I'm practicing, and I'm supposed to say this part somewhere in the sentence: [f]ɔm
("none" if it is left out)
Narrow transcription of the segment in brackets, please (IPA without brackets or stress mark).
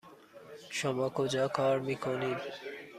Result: ʃ